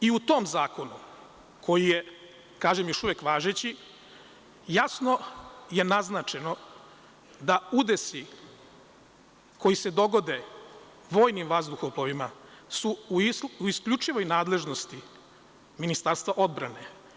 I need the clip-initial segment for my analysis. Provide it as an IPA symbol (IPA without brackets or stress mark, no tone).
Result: i